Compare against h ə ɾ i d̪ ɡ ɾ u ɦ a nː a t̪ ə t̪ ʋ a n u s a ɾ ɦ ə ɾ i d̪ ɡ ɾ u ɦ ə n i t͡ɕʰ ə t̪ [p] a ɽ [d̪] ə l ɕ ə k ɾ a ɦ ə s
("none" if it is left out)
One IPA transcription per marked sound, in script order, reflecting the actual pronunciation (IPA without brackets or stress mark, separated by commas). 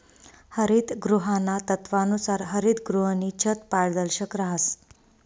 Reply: p, d̪